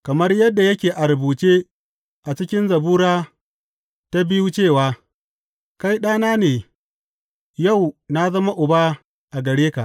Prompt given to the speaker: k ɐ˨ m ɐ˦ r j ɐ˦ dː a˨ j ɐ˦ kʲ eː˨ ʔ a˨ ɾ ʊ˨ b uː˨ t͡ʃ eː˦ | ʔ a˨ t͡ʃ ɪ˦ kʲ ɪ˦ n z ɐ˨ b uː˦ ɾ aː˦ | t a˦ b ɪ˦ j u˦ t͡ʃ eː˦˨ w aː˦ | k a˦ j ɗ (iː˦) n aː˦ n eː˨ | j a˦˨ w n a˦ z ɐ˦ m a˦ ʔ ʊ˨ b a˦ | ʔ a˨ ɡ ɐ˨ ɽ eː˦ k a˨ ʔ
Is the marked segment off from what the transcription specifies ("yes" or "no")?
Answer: yes